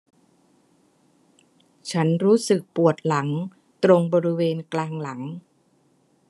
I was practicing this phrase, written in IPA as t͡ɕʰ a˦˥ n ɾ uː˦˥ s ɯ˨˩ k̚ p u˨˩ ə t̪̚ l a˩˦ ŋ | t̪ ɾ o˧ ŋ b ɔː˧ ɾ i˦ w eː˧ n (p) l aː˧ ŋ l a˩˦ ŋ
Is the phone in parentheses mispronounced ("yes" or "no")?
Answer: yes